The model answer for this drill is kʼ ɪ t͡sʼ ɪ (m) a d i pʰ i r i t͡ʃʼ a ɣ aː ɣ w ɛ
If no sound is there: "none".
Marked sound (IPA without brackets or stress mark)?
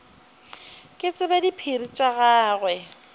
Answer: b